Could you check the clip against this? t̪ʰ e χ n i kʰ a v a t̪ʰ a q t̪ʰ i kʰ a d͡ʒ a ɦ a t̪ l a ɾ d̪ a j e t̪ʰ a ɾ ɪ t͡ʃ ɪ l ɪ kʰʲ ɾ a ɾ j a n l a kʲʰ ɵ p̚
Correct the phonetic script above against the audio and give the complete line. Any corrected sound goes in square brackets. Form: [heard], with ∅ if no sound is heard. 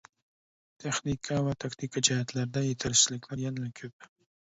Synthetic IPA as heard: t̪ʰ e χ n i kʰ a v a t̪ʰ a [k] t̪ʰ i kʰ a d͡ʒ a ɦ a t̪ l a ɾ d̪ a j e t̪ʰ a ɾ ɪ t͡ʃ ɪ l ɪ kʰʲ [l] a ɾ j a n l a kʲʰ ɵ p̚